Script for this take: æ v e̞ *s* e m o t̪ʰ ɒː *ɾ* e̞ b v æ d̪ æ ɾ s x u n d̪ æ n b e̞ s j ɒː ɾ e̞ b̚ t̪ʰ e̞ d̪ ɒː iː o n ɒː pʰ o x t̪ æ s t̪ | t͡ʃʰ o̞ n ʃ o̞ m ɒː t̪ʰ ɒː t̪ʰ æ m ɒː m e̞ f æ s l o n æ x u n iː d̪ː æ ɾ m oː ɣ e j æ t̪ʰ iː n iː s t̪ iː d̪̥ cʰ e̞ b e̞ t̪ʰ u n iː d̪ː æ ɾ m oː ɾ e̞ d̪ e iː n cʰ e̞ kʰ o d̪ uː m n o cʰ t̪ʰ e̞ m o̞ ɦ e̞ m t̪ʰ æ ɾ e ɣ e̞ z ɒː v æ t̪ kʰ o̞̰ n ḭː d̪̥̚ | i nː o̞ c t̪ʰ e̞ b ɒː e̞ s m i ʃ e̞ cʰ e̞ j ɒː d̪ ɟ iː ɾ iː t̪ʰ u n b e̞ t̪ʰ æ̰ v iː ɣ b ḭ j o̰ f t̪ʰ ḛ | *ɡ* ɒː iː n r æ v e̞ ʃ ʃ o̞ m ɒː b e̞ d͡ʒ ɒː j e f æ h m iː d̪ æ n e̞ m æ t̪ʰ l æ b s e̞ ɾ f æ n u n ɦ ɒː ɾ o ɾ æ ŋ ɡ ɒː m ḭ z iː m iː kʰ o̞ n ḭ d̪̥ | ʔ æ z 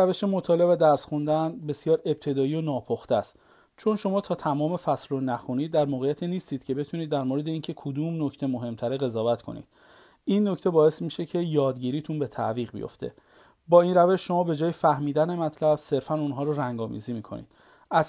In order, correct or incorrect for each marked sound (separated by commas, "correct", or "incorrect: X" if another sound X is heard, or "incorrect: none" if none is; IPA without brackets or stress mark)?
incorrect: ʃ, incorrect: l, incorrect: b